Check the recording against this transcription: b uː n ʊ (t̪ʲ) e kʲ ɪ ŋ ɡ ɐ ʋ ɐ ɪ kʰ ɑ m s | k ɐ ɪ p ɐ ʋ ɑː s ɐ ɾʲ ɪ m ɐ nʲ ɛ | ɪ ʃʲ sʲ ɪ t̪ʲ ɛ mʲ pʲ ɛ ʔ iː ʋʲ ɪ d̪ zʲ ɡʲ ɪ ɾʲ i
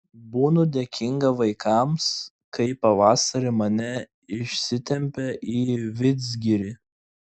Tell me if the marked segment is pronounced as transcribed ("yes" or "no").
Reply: no